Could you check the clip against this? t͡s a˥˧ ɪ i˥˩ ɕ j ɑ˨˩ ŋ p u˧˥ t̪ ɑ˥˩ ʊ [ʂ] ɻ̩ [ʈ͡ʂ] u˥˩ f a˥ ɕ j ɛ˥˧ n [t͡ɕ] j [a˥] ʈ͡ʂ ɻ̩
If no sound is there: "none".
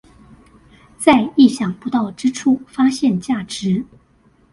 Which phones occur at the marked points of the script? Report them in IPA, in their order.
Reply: ʈ͡ʂ, ʈ͡ʂʰ, t͡ɕ, a˥˩

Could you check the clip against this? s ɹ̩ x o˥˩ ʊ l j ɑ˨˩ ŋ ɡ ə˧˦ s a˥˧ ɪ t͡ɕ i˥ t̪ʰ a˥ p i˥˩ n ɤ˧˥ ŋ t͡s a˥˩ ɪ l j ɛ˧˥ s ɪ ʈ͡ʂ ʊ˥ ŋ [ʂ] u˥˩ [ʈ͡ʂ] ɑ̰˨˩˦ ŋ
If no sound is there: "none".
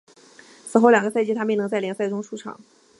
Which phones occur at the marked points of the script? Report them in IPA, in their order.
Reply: ʂ, ʈ͡ʂʰ

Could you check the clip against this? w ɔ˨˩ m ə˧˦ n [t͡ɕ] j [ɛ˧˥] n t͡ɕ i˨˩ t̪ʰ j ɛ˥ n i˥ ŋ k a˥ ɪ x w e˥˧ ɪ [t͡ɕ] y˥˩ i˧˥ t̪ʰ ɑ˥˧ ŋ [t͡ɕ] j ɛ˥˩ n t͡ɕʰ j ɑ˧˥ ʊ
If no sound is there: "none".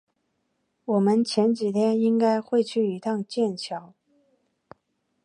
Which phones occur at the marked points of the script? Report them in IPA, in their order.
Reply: t͡ɕʰ, ɛ˧˥, t͡ɕʰ, t͡ɕ

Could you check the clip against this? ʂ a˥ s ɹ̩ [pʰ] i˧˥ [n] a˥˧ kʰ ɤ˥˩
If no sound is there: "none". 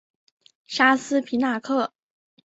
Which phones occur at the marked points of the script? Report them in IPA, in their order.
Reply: pʰ, n

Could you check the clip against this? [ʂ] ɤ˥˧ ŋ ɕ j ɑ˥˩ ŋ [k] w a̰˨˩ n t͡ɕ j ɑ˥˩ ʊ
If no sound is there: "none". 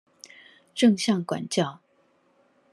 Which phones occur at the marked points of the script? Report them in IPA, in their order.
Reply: ʈ͡ʂ, k

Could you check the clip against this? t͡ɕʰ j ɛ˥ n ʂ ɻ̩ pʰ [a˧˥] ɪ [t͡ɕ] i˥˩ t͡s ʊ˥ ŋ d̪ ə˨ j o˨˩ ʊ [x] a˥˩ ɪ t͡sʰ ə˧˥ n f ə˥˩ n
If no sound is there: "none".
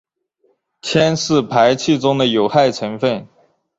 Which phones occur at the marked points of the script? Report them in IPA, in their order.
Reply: a˧˥, t͡ɕʰ, x

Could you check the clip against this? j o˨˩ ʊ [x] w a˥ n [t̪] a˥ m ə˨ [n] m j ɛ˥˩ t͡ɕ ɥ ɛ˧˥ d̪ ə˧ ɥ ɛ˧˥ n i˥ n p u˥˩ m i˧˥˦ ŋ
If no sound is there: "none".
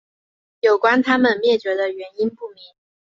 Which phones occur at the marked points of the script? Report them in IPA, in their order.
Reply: k, t̪ʰ, n

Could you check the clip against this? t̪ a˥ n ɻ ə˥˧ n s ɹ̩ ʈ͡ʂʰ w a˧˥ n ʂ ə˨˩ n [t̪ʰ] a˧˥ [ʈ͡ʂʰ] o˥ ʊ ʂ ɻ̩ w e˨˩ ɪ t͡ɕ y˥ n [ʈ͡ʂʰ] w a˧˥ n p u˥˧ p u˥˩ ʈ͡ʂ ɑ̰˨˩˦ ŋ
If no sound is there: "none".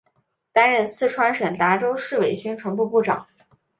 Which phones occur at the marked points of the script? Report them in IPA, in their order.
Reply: t̪, ʈ͡ʂ, ʈ͡ʂʰ

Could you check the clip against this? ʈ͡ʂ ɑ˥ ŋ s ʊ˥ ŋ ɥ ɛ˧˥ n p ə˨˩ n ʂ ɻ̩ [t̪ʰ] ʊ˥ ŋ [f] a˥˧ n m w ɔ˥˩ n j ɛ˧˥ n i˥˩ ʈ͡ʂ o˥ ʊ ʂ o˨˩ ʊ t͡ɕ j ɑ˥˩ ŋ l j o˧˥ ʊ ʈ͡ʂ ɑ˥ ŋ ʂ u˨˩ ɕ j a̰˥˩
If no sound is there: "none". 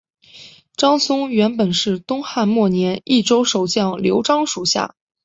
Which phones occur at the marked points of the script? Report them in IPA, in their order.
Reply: t̪, x

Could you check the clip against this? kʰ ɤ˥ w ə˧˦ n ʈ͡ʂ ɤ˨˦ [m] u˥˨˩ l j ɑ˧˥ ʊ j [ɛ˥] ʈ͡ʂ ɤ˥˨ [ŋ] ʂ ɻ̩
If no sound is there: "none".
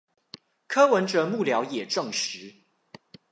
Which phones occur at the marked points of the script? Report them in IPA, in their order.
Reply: m, ɛ˨˩, ŋ

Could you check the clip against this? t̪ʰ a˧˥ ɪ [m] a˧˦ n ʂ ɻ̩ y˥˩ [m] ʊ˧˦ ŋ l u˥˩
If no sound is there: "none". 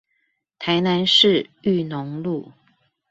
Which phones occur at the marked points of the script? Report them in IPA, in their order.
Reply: n, n

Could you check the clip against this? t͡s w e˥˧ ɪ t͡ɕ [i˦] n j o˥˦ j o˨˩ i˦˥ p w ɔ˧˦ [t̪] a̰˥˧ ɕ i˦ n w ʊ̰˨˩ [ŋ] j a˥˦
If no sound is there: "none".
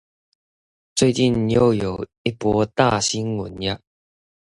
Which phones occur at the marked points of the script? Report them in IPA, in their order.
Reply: i˥˨, t̪, n

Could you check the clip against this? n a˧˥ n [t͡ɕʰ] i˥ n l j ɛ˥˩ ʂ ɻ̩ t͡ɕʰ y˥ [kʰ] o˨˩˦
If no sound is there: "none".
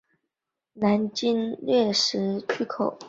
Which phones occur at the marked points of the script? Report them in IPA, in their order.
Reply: t͡ɕ, kʰ

